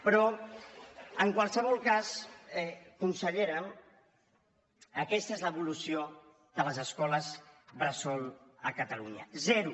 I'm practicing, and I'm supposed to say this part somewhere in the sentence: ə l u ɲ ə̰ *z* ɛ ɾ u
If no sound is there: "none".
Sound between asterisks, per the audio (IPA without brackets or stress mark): z